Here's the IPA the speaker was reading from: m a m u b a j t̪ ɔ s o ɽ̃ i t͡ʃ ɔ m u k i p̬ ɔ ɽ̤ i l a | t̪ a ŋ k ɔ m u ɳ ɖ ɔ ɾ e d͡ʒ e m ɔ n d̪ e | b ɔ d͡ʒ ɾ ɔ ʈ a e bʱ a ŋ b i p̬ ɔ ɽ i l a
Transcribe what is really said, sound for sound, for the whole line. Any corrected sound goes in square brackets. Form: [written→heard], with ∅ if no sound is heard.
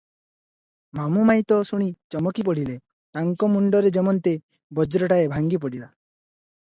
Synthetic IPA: m a m u [b→m] a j t̪ ɔ s [o→u] ɽ̃ i t͡ʃ ɔ m [u→ɔ] k i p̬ ɔ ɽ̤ i l [a→e] | t̪ a ŋ k ɔ m u ɳ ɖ ɔ ɾ e d͡ʒ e m ɔ n [d̪→t̪] e | b ɔ d͡ʒ ɾ ɔ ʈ a e bʱ a ŋ [b→ɡ] i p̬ ɔ ɽ i l a